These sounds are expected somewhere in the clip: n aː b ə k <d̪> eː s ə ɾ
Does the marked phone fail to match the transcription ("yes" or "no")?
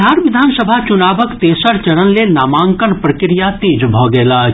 yes